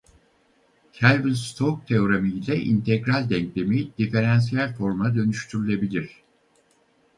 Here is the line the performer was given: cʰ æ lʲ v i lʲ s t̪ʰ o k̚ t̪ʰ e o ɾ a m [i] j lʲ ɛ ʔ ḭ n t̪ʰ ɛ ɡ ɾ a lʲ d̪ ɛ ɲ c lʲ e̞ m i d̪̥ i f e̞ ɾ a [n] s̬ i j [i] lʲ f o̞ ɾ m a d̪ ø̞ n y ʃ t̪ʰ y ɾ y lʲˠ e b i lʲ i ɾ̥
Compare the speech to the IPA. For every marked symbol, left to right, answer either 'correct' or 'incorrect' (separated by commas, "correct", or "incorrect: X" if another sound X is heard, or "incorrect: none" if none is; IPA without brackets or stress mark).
correct, correct, incorrect: æ